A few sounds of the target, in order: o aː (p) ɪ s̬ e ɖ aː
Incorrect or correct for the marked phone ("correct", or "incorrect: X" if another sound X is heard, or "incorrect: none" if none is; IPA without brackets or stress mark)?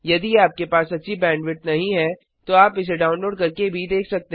correct